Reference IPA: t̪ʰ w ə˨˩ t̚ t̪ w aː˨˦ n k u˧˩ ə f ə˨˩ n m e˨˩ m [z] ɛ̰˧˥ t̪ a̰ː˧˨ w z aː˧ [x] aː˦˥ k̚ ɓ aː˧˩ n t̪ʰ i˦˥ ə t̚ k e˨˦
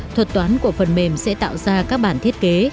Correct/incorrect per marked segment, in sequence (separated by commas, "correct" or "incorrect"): incorrect, incorrect